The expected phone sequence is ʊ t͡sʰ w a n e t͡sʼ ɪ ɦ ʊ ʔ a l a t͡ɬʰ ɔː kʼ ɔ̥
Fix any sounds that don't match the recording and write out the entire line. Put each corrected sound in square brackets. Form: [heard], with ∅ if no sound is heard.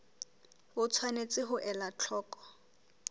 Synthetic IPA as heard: ʊ t͡sʰ w a n e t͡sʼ ɪ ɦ ʊ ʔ [ɛ] l a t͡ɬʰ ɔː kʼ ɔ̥